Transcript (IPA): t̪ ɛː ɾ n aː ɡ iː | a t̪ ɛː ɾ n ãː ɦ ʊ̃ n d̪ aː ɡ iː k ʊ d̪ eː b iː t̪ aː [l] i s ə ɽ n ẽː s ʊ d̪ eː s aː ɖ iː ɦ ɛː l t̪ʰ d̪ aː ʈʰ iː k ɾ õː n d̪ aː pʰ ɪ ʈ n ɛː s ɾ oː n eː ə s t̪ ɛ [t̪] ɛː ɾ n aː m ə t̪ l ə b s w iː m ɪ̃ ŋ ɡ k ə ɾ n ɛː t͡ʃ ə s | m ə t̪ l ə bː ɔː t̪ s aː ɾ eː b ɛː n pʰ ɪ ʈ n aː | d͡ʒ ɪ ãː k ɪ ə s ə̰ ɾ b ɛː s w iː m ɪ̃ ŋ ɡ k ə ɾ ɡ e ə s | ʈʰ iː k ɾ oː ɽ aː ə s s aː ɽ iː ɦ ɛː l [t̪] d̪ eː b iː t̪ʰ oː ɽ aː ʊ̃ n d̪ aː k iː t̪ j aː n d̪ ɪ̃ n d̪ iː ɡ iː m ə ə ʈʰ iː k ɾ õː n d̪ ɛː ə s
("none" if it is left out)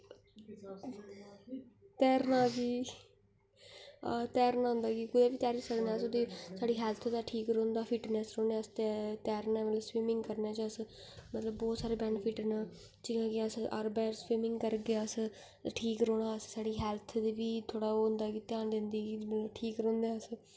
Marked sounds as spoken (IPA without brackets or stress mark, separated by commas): ɾ, t̪, t̪ʰ